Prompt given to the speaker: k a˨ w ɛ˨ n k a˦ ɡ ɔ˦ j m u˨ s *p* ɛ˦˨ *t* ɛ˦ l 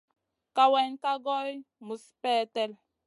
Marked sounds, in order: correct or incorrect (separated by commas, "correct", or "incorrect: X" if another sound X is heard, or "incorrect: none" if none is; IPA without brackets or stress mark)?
correct, correct